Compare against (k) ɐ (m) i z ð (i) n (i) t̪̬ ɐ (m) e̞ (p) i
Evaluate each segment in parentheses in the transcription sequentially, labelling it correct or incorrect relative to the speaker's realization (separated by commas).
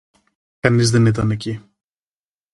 correct, incorrect, incorrect, correct, incorrect, incorrect